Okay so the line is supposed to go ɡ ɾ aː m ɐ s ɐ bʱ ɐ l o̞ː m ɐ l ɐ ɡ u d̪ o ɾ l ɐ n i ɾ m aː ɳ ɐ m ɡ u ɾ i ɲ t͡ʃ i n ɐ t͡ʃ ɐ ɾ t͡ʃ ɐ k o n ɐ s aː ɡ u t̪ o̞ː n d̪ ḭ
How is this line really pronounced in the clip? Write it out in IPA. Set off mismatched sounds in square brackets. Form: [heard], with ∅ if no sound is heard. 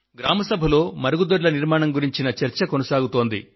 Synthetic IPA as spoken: ɡ ɾ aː m ɐ s ɐ bʱ ɐ l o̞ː m ɐ [ɾ] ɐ ɡ u d̪ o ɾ l ɐ n i ɾ m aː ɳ ɐ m ɡ u ɾ i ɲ t͡ʃ i n ɐ t͡ʃ ɐ ɾ t͡ʃ ɐ k o n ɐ s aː ɡ u t̪ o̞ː n d̪ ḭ